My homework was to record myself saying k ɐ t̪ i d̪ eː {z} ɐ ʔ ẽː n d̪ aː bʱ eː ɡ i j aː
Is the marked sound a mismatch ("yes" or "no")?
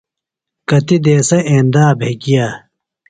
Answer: yes